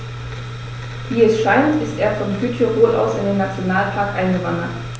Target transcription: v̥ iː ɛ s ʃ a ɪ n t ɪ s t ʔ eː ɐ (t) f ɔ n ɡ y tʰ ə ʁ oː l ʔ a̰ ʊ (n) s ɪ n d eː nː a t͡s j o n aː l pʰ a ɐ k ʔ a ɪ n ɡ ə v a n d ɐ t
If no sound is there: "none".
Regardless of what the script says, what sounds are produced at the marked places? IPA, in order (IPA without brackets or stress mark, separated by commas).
none, none